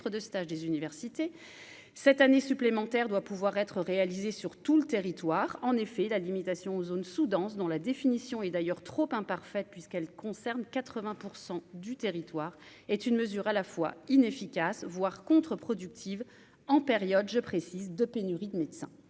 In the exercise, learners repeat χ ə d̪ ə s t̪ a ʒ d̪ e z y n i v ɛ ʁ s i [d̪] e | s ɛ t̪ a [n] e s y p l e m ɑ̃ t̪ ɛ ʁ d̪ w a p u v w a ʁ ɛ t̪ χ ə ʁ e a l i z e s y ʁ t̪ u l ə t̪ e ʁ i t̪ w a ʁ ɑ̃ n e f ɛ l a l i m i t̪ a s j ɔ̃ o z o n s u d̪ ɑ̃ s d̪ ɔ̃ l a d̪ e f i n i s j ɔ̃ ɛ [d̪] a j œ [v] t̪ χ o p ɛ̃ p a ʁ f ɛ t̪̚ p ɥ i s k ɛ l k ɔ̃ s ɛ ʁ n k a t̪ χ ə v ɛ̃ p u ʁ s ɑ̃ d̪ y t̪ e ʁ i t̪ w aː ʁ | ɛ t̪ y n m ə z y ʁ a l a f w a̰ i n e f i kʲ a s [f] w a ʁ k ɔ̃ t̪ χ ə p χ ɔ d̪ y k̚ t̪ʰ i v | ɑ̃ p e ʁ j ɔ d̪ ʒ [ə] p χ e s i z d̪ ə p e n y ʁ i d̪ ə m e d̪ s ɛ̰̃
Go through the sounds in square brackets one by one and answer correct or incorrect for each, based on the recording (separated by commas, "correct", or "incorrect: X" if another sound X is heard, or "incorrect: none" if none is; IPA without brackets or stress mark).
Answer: incorrect: t̪, correct, correct, incorrect: ʁ, incorrect: v, correct